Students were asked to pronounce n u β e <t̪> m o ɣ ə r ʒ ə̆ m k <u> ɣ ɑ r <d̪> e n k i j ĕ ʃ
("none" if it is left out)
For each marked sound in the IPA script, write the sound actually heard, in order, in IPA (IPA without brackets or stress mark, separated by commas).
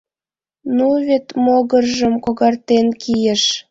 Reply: t̪, o, t̪